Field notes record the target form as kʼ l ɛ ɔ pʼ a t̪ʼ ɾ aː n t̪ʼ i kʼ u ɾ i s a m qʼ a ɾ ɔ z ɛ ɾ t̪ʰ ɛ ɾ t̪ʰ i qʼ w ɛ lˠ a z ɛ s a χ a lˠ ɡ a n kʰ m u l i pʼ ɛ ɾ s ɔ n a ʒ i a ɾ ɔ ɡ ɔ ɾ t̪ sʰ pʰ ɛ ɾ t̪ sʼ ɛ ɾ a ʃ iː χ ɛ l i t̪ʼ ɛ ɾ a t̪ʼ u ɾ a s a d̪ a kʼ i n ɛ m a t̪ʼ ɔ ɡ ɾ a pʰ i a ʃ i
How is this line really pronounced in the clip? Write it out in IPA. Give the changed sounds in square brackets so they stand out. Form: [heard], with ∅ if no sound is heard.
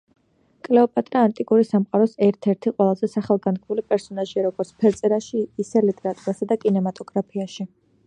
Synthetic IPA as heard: kʼ l ɛ ɔ pʼ a t̪ʼ ɾ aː n t̪ʼ i kʼ u ɾ i s a m qʼ a ɾ ɔ [s] ɛ ɾ t̪ʰ ɛ ɾ t̪ʰ i qʼ w ɛ lˠ a z ɛ s a χ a lˠ ɡ a n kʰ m u l i pʼ ɛ ɾ s ɔ n a ʒ i a ɾ ɔ ɡ ɔ ɾ t̪ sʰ pʰ ɛ ɾ t̪ sʼ ɛ ɾ a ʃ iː [s] ɛ l i t̪ʼ ɛ ɾ a t̪ʼ u ɾ a s a d̪ a kʼ i n ɛ m a t̪ʼ ɔ ɡ ɾ a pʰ i a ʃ i